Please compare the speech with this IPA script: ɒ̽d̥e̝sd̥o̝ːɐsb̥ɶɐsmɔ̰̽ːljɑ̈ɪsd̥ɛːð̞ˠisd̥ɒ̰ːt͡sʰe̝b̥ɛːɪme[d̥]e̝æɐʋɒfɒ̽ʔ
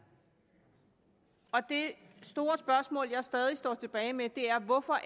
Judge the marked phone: correct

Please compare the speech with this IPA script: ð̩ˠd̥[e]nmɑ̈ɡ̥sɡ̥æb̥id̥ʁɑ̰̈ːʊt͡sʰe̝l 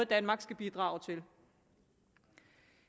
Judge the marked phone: incorrect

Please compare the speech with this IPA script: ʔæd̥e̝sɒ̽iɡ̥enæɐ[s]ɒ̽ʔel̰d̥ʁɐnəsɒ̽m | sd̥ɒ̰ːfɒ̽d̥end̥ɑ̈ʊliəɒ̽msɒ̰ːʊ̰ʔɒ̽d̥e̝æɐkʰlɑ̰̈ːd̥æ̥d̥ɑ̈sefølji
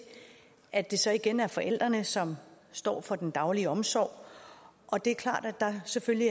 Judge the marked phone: incorrect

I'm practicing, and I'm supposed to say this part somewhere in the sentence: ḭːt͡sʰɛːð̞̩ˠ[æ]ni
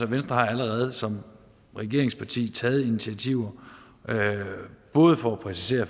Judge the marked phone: incorrect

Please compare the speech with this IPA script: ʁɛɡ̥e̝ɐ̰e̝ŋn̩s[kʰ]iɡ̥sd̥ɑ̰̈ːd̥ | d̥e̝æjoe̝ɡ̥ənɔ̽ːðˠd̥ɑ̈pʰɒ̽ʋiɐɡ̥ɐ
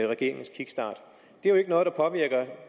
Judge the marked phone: correct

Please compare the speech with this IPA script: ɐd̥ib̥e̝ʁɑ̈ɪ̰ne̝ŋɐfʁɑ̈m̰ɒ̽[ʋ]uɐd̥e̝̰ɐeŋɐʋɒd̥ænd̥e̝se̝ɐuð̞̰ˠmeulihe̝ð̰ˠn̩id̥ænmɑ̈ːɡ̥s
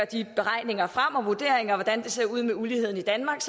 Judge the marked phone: correct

